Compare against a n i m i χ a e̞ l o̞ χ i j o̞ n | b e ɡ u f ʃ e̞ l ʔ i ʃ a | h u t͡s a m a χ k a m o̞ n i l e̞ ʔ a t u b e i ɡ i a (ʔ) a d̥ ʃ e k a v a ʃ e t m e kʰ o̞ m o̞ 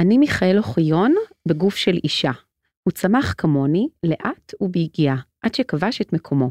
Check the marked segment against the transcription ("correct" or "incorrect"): correct